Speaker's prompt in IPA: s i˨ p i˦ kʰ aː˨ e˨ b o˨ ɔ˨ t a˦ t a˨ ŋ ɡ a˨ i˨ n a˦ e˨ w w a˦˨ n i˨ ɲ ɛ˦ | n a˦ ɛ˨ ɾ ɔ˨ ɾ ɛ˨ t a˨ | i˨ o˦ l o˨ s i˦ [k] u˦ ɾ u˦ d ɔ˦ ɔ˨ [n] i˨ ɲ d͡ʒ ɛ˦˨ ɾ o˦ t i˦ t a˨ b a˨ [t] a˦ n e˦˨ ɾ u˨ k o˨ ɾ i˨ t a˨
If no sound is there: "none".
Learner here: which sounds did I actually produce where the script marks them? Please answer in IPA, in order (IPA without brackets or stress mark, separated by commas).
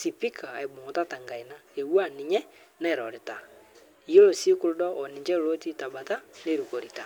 k, n, t